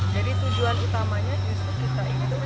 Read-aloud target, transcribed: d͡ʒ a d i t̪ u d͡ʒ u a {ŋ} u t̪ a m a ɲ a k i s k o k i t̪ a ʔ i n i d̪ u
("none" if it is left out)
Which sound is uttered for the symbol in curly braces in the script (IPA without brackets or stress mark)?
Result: n